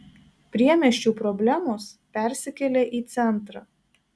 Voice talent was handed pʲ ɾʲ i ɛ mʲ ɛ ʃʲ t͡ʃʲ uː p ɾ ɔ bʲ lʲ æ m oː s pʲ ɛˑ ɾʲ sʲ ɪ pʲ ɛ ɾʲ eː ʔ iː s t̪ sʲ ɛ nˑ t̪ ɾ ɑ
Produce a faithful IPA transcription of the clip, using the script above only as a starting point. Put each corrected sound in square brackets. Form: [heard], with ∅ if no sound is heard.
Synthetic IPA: pʲ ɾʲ i ɛ mʲ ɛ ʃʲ t͡ʃʲ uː p ɾ ɔ bʲ lʲ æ m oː s pʲ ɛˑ ɾʲ sʲ ɪ [kʲ] ɛ [lʲ] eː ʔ iː [∅] t̪ sʲ ɛ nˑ t̪ ɾ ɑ